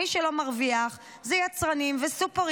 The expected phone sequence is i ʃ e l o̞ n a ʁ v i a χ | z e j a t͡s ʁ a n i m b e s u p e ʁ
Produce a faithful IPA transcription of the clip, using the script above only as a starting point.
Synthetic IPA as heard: i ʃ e l o̞ m a ʁ v i a χ | z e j a t͡s ʁ a n i m v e s u p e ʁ